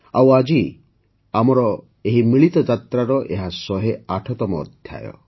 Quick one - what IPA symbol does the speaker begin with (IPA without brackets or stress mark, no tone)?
a